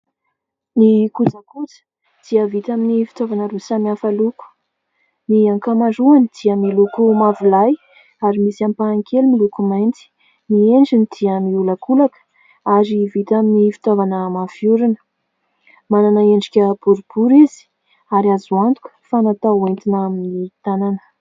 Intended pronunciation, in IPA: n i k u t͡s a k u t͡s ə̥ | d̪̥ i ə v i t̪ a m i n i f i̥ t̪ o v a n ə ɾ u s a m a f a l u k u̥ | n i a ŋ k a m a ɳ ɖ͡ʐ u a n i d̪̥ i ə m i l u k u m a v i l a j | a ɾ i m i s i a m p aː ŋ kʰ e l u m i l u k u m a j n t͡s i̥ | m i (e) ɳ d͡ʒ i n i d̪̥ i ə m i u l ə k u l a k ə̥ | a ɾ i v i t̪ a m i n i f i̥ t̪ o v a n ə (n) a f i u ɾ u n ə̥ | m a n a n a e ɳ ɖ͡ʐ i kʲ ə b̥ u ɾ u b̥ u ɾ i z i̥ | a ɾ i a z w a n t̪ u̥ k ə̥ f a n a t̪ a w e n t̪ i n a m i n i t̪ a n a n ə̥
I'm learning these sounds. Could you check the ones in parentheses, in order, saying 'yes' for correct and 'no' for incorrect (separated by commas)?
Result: yes, no